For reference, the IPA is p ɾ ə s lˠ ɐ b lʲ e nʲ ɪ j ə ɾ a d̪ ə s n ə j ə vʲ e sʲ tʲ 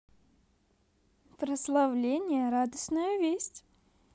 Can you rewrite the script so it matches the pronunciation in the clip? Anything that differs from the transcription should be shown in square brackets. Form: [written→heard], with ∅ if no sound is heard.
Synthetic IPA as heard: p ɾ ə s lˠ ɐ [b→v] lʲ e nʲ ɪ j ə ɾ a d̪ ə s n ə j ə vʲ e sʲ tʲ